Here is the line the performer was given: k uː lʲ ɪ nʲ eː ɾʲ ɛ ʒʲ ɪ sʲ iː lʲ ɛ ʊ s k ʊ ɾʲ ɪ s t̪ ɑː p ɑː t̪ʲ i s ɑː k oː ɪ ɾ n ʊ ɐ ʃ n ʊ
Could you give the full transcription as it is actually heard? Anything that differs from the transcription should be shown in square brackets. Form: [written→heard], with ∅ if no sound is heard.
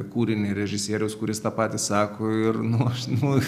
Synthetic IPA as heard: k uː [lʲ→ɾʲ] ɪ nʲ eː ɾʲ ɛ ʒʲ ɪ sʲ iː [lʲ→ɾʲ] ɛ ʊ s k ʊ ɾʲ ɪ s t̪ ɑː p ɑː t̪ʲ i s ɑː k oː ɪ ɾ n ʊ ɐ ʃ n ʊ